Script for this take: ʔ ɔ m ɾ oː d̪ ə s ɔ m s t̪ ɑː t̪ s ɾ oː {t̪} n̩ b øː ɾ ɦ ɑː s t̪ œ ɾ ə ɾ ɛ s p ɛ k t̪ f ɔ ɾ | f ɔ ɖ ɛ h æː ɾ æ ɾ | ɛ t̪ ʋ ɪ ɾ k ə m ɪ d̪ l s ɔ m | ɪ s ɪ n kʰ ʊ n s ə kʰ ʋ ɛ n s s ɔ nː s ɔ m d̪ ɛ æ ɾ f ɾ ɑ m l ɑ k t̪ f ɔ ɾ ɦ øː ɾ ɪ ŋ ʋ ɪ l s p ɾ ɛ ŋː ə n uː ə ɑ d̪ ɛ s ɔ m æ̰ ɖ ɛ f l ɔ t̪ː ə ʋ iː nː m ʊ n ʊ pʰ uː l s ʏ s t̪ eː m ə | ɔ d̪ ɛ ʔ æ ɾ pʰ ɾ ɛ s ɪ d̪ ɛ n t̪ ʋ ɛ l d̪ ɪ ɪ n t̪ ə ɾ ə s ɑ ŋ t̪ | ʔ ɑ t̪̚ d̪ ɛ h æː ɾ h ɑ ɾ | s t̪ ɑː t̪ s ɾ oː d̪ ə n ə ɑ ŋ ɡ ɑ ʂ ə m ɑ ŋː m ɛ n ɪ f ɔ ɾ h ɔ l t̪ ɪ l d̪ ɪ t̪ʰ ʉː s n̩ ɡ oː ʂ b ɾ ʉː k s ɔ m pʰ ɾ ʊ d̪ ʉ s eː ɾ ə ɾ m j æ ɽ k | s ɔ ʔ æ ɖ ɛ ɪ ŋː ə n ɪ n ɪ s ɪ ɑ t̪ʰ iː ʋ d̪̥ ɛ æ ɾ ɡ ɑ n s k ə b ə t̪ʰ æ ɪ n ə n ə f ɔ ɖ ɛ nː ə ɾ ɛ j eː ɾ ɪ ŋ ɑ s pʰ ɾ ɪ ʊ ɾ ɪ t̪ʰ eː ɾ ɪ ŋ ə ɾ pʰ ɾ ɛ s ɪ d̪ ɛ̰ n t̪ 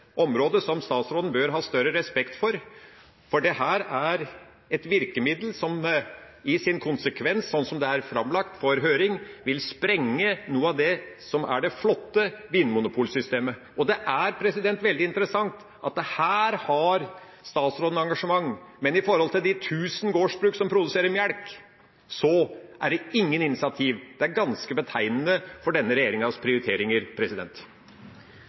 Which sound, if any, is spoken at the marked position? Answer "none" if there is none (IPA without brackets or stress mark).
d̪